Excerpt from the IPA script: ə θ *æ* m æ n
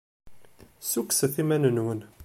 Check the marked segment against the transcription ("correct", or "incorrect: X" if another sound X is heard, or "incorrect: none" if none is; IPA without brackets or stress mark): incorrect: i